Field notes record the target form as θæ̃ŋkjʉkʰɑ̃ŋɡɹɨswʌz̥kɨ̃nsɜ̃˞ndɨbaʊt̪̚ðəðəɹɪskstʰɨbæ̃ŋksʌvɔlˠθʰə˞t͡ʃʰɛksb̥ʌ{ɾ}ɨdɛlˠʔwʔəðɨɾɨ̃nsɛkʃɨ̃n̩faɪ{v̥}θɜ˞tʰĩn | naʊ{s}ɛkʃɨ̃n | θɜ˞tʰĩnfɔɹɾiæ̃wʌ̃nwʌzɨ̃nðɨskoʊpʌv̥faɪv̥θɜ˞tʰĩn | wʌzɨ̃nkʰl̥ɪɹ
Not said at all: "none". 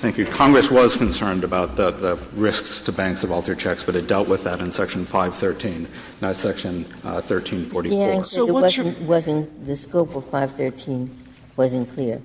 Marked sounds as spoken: ɾ, v̥, s

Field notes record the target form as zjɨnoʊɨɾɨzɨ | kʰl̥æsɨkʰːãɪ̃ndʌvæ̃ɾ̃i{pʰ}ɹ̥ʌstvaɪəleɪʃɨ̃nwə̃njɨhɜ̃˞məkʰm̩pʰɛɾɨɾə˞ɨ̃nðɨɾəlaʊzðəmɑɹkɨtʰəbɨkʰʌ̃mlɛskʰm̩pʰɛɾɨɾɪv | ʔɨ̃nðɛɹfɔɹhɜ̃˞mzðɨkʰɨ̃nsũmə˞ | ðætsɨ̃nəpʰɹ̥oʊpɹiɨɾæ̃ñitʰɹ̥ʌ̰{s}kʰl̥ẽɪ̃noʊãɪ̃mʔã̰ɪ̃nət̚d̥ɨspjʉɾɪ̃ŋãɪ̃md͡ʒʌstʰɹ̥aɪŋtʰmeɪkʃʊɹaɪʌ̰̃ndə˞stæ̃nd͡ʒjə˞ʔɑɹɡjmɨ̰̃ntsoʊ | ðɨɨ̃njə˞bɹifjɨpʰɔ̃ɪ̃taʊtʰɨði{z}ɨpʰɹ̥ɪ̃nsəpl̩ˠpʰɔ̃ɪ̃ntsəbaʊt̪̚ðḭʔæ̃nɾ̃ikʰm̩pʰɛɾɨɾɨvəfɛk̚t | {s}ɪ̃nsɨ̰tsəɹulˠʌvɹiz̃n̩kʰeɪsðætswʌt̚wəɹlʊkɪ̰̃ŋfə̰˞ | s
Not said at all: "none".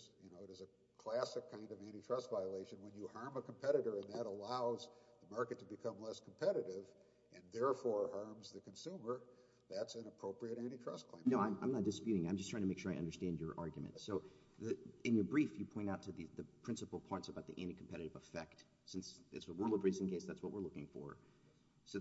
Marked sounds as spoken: tʰ, s, ð, s

